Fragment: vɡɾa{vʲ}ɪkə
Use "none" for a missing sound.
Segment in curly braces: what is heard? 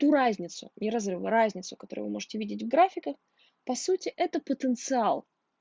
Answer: fʲ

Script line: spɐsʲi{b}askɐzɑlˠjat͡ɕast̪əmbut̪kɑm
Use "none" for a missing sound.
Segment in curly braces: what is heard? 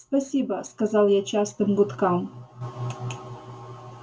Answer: b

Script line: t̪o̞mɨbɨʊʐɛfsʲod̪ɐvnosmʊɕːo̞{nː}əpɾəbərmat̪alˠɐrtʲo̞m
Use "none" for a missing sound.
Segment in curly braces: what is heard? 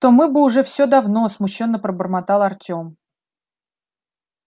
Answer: nː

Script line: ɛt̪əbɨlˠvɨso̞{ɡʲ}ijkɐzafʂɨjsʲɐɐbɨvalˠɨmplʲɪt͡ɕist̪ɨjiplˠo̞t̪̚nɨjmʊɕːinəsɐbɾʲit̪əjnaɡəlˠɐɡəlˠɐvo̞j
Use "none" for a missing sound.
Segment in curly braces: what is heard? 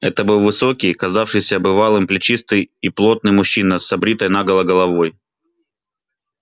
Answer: kʲ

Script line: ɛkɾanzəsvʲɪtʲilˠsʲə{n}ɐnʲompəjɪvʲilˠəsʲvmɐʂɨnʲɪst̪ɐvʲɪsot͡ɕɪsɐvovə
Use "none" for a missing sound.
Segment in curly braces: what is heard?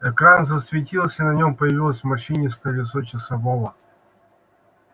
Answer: n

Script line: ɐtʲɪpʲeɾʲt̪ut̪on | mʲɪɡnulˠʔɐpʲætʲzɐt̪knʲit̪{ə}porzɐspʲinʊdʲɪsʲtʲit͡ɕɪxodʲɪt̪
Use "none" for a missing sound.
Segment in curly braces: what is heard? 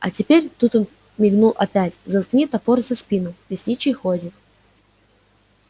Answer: ɐ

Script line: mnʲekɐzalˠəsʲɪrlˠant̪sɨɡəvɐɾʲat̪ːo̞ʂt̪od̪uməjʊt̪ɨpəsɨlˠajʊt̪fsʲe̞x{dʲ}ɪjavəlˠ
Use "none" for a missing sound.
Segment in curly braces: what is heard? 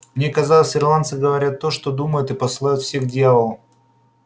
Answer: dʲ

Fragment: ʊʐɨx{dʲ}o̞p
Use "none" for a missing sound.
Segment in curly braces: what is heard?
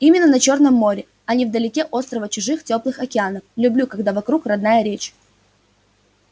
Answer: tʲ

